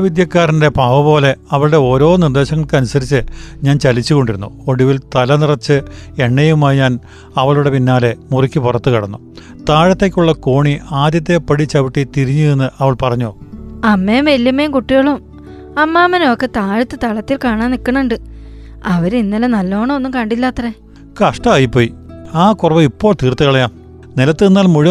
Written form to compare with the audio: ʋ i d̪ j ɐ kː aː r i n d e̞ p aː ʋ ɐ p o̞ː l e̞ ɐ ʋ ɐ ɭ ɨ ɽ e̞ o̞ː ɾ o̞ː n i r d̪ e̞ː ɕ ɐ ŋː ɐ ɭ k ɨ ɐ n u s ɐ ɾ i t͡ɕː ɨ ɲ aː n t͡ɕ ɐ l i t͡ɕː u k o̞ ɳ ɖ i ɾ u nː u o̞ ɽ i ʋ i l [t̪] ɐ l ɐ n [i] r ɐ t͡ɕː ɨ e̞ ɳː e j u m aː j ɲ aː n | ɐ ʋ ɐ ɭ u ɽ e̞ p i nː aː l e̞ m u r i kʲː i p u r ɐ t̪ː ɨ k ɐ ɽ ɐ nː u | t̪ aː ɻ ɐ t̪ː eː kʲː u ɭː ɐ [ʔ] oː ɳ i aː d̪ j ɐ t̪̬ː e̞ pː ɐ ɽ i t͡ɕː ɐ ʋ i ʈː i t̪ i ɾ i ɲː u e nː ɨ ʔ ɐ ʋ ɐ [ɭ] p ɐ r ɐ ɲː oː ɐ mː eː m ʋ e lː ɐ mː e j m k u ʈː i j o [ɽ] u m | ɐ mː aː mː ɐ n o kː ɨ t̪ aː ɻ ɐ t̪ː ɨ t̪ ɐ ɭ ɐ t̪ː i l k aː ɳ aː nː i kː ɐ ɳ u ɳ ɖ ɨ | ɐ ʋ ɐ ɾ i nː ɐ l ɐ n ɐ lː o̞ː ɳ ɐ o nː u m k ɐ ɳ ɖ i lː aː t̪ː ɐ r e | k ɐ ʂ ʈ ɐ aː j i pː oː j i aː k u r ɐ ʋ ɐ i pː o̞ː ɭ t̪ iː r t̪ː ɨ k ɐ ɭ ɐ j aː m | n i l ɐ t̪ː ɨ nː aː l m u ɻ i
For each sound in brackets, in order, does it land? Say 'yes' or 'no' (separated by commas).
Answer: yes, yes, no, yes, no